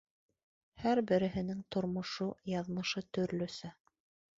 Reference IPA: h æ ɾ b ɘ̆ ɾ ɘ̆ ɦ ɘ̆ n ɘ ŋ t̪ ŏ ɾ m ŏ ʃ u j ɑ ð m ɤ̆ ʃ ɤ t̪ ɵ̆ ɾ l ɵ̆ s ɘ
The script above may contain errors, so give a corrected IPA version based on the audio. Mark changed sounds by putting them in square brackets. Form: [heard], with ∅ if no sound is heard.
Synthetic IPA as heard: h æ ɾ b ɘ̆ ɾ ɘ̆ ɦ ɘ̆ n ɘ ŋ t̪ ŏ ɾ m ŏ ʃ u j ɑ ð m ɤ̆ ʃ ɤ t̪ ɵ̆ ɾ l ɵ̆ s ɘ